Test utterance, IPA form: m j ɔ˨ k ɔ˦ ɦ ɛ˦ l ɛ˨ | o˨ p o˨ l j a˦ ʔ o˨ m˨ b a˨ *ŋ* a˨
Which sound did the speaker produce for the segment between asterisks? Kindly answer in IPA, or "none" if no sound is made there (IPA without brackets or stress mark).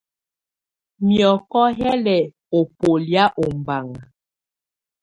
ŋ